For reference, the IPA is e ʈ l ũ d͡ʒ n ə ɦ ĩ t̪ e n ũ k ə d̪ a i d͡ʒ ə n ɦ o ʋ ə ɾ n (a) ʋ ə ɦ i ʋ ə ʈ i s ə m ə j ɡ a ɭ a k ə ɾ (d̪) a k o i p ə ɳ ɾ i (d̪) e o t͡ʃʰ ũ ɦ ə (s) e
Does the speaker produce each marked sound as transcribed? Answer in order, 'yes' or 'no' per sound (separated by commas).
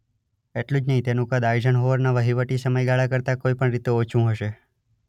yes, no, no, no